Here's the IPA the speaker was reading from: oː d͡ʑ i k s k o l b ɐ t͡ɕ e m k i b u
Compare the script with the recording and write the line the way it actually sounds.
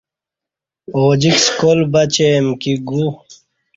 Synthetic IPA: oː d͡ʑ i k s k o l b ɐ t͡ɕ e m k i ɡ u